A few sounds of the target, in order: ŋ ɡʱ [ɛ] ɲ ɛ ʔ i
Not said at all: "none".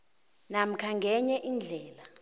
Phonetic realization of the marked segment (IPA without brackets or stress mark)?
ɛ